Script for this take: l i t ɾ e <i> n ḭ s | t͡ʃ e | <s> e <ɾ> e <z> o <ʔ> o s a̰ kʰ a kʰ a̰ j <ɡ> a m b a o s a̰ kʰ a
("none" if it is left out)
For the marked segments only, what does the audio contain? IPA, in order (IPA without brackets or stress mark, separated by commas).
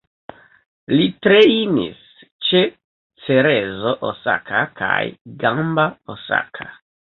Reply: i, t͡s, ɾ, z, ʔ, ɡ